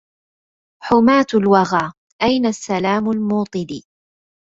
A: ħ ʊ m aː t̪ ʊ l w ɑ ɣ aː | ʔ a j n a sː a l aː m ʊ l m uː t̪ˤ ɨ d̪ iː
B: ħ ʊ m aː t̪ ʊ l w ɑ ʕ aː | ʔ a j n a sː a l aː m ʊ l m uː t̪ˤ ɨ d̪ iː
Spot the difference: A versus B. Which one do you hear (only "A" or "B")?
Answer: A